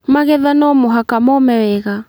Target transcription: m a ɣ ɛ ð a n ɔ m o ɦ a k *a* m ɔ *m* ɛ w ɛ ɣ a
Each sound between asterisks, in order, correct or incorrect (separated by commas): correct, correct